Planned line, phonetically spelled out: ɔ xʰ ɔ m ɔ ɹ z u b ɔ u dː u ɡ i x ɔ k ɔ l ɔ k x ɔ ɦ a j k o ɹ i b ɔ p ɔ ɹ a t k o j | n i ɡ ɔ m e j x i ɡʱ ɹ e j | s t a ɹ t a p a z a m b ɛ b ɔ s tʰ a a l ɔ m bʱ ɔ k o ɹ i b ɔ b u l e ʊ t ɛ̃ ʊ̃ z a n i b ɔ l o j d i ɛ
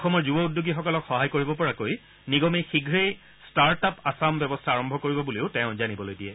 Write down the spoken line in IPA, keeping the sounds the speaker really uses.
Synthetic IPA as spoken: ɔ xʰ ɔ m ɔ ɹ z u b ɔ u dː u ɡ i x ɔ k ɔ l ɔ k x ɔ ɦ a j k o ɹ i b ɔ p ɔ ɹ a k o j | n i ɡ ɔ m e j x i ɡʱ ɹ e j | s t a ɹ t a p a s a m b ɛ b ɔ s tʰ a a ɹ ɔ m bʱ ɔ k o ɹ i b ɔ b u l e ʊ t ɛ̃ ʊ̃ z a n i b ɔ l o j d i ɛ